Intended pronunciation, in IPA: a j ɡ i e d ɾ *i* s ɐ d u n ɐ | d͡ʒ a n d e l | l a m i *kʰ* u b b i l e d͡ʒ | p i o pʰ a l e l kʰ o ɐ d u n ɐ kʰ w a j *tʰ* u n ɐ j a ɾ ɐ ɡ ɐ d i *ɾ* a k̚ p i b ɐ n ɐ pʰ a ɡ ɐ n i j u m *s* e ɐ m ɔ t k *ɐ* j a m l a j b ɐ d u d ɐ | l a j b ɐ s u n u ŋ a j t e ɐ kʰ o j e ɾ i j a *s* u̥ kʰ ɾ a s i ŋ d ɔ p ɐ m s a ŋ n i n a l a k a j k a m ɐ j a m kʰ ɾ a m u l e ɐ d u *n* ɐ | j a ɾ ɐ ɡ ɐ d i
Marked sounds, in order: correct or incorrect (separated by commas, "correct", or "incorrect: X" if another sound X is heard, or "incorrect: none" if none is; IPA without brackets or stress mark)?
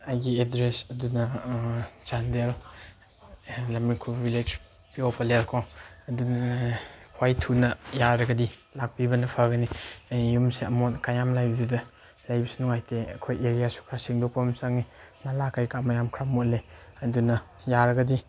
incorrect: e, correct, correct, incorrect: l, correct, incorrect: a, correct, correct